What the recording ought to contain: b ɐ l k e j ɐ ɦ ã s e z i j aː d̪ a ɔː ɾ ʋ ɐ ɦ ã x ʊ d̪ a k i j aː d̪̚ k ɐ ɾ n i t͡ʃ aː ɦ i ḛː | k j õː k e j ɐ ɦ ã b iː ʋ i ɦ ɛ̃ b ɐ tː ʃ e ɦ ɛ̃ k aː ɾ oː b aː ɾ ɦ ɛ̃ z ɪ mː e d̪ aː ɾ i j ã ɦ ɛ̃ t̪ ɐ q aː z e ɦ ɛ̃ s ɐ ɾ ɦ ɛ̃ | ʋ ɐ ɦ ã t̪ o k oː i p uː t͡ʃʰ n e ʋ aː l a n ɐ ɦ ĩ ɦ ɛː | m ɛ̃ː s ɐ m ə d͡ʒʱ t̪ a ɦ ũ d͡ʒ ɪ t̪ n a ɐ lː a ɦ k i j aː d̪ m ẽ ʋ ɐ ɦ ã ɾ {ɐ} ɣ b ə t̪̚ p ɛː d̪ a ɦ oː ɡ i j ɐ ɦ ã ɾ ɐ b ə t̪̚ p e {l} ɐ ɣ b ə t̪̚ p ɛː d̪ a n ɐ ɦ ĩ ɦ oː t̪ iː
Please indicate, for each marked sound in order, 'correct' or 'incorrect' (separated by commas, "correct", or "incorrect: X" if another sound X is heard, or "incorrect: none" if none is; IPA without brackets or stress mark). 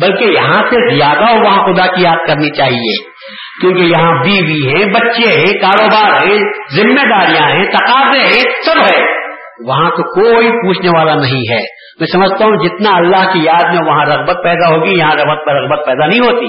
correct, incorrect: ɾ